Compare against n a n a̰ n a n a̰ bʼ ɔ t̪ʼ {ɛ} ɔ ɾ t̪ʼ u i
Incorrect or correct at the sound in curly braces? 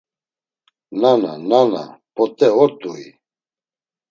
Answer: correct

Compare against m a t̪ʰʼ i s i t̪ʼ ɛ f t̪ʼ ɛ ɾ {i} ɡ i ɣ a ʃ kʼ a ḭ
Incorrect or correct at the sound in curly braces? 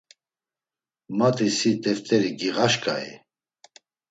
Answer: correct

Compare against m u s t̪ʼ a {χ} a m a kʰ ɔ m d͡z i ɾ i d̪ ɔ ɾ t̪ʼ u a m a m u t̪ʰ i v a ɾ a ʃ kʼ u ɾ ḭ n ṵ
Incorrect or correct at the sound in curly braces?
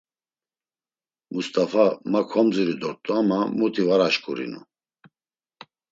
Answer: incorrect: f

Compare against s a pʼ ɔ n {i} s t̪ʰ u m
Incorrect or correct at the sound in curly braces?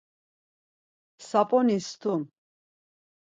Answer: correct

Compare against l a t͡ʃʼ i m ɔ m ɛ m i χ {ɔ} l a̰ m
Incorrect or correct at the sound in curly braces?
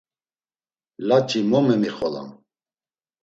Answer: correct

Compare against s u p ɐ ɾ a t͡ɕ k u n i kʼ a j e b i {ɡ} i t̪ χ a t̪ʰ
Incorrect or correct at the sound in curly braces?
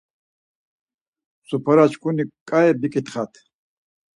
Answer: incorrect: k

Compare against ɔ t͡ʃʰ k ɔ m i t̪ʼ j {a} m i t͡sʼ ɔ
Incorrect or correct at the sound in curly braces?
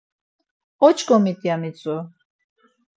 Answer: correct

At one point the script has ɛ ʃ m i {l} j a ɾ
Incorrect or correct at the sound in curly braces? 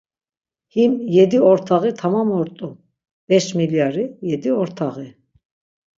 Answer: correct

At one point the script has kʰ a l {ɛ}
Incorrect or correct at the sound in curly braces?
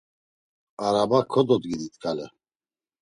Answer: correct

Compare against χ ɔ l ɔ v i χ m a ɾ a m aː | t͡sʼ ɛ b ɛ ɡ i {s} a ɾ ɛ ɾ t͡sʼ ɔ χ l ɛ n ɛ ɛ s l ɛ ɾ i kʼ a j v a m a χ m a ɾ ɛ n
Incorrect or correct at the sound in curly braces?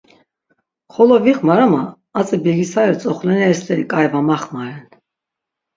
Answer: correct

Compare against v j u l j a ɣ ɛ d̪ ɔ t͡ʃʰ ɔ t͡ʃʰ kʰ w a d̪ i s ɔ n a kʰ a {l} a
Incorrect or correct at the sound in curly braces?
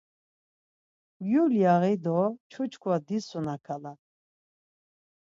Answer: correct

